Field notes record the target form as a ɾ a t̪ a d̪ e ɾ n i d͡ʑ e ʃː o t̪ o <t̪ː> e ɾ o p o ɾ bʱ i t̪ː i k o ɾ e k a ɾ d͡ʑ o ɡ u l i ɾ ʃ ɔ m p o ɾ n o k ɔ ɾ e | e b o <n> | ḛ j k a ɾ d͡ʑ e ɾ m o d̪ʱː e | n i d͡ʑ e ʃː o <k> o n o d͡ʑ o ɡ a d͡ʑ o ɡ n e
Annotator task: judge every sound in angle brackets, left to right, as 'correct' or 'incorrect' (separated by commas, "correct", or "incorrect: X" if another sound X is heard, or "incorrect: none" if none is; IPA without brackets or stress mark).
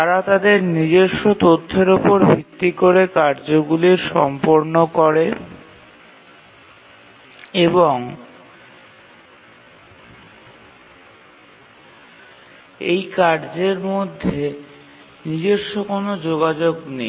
incorrect: t̪ʰː, incorrect: ŋ, correct